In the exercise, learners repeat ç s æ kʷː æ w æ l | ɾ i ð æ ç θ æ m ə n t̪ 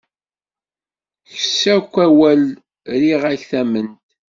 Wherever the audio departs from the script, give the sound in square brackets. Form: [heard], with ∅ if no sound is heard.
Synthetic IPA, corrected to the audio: ç s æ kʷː æ w æ l | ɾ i [ʁ] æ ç θ æ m ə n t̪